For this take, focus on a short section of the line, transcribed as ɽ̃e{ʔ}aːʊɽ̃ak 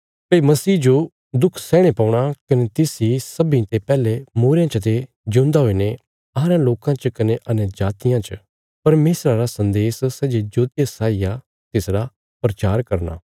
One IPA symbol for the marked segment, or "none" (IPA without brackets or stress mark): p